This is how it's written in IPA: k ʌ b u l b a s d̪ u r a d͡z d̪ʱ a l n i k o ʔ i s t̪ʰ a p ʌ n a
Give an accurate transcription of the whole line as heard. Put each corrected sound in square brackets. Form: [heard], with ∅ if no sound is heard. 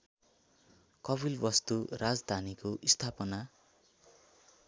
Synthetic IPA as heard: k ʌ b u l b [ʌ] s [t̪] u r a d͡z d̪ʱ a [∅] n i k o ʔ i s t̪ʰ a p ʌ n a